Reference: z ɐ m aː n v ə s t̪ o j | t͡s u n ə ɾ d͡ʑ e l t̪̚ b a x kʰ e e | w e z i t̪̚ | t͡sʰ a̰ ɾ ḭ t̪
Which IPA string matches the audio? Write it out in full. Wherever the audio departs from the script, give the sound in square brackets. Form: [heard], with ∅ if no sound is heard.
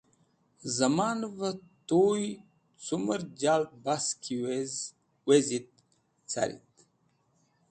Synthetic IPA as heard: z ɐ m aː n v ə [∅] t̪ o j | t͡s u [m] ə ɾ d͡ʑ [a] l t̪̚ b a [s] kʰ [i] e | w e z i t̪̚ | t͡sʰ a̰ ɾ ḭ t̪